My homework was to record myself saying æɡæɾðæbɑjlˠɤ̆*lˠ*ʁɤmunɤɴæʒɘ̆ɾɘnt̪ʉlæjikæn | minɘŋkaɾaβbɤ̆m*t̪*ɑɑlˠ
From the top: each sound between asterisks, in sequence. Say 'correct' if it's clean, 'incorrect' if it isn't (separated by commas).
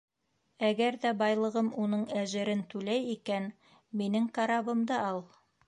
incorrect, incorrect